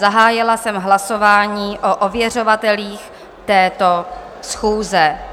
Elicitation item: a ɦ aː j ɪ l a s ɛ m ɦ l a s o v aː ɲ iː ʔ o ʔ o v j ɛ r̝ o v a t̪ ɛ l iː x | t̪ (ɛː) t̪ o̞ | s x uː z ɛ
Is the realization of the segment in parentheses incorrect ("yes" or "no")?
no